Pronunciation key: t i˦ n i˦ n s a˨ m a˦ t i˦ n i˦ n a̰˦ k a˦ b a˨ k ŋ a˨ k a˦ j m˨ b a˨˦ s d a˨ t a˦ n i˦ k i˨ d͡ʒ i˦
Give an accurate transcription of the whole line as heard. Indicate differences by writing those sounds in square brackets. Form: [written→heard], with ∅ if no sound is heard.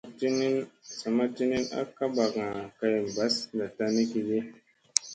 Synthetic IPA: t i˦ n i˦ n s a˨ m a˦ t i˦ n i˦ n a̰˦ k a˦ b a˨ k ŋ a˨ k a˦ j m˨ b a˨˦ s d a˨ t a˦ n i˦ k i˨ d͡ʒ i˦

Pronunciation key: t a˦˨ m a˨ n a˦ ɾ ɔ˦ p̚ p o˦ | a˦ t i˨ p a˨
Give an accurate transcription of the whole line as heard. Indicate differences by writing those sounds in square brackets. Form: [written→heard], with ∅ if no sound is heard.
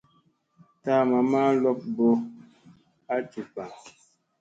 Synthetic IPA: t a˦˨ m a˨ [n→m] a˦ [ɾ→l] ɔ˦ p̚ [p→b] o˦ | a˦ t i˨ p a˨

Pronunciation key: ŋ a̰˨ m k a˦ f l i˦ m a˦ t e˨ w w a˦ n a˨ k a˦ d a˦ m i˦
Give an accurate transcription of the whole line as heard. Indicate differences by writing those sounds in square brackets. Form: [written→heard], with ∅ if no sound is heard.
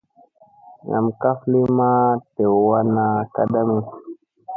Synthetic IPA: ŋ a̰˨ m k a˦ f l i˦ m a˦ t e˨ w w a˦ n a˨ k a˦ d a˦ m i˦

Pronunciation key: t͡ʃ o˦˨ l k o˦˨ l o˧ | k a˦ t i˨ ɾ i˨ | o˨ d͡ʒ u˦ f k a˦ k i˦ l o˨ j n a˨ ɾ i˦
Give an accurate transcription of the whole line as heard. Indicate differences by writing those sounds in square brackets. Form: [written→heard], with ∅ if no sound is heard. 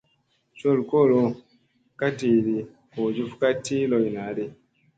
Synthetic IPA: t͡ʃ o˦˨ l k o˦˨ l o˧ | k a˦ t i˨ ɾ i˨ | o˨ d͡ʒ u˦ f k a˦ [k→t] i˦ l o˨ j n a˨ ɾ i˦

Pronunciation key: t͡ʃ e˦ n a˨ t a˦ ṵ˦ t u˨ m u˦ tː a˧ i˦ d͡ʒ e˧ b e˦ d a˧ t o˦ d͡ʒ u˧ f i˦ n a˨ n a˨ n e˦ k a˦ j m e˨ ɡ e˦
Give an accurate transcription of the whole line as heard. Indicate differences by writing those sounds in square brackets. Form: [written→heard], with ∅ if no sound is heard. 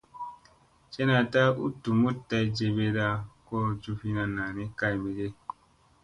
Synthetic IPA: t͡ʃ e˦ n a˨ t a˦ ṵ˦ t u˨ m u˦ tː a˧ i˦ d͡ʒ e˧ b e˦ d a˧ [t→k] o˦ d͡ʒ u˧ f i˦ n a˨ n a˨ n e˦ k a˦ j m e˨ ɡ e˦

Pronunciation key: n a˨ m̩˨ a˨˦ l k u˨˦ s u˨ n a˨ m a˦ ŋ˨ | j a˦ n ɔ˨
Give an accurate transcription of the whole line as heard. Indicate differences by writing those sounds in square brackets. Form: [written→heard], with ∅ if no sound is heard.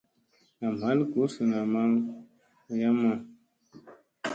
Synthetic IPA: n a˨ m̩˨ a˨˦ l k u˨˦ s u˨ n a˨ m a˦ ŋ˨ | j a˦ [n→m] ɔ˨

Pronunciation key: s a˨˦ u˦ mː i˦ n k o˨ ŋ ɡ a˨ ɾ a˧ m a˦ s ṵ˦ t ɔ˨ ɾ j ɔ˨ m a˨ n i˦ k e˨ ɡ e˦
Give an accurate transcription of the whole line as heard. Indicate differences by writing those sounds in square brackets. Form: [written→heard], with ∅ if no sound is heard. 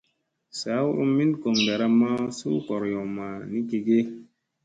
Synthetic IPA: s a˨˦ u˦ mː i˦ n k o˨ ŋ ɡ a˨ ɾ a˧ m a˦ s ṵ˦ [t→k] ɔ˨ ɾ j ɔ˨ m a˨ n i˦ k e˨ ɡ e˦

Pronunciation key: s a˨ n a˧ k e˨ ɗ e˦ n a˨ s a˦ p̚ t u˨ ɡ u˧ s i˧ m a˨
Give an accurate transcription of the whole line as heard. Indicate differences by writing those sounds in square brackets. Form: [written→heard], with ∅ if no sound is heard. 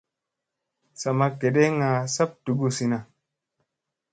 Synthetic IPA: s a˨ [n→m] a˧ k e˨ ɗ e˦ [n→ŋ] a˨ s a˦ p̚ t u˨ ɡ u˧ s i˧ [m→n] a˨

